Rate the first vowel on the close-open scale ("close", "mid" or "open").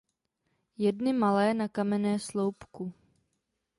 mid